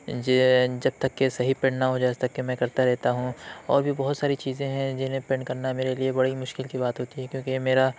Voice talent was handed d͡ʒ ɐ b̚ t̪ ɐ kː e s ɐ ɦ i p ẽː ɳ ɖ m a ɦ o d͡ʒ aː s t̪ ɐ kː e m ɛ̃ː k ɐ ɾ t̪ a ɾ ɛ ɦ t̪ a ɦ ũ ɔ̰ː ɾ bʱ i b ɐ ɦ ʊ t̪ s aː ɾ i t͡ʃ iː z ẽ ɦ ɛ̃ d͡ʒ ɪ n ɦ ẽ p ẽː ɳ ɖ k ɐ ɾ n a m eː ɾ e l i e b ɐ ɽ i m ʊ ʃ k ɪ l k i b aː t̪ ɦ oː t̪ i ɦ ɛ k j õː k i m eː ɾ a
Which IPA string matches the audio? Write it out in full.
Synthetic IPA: d͡ʒ ɐ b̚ t̪ ɐ kː e s ɐ ɦ i p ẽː ɳ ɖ n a ɦ o d͡ʒ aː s t̪ ɐ kː e m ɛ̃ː k ɐ ɾ t̪ a ɾ ɛ ɦ t̪ a ɦ ũ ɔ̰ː ɾ bʱ i b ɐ ɦ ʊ t̪ s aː ɾ i t͡ʃ iː z ẽ ɦ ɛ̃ d͡ʒ ɪ n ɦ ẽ p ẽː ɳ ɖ k ɐ ɾ n a m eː ɾ e l i e b ɐ ɽ i m ʊ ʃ k ɪ l k i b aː t̪ ɦ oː t̪ i ɦ ɛ k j õː k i m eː ɾ a